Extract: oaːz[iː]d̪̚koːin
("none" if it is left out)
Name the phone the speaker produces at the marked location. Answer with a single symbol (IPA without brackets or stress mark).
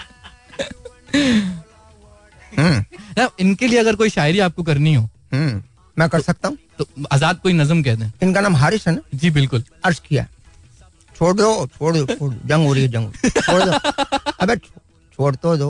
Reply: aː